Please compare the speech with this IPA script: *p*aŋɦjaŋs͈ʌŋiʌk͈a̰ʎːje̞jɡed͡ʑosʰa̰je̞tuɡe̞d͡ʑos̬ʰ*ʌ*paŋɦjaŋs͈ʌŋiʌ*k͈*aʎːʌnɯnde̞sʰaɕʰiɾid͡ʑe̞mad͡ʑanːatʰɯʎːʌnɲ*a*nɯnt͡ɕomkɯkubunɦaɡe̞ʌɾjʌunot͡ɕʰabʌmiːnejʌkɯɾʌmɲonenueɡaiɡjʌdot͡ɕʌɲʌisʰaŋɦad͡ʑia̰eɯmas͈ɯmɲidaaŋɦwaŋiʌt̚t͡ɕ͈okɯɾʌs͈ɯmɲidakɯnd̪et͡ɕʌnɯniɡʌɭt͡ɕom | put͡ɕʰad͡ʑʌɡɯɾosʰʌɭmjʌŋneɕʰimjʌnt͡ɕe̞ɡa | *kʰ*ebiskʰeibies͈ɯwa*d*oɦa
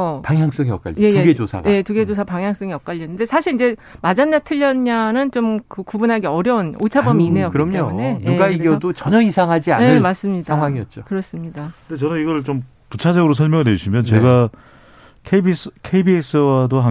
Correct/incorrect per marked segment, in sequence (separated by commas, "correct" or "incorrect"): correct, incorrect, correct, correct, correct, correct